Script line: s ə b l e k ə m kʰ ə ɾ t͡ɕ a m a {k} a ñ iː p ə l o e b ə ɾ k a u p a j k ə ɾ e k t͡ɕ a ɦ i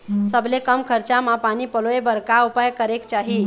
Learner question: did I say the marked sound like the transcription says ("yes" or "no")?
no